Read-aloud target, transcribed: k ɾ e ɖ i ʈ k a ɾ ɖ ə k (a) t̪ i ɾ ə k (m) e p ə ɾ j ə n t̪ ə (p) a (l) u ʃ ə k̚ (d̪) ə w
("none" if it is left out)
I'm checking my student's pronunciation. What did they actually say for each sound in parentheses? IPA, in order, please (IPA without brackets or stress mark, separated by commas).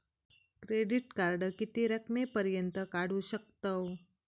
i, m, k, ɽ, t̪